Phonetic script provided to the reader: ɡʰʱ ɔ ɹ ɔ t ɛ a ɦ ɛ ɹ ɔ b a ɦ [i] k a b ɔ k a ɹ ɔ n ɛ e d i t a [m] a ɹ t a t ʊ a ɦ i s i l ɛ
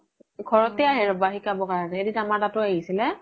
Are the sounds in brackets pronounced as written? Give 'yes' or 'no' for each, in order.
yes, yes

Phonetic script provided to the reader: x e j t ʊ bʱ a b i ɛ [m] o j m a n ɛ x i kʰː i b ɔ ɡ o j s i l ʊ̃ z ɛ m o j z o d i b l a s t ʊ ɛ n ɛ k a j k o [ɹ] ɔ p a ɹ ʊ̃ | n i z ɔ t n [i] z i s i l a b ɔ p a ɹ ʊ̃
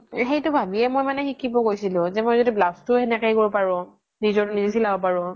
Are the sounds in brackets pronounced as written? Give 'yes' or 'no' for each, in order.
yes, yes, yes

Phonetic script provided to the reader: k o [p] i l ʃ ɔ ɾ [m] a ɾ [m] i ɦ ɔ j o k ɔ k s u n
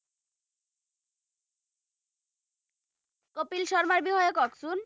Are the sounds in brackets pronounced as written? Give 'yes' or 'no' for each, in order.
yes, yes, no

